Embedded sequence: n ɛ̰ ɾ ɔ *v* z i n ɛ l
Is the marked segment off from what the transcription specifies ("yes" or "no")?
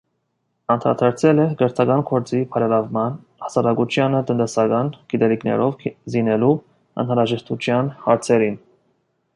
no